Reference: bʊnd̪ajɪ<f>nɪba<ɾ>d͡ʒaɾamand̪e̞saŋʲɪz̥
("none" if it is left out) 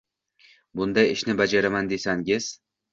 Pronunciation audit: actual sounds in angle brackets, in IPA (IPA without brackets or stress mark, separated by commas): ʃ, none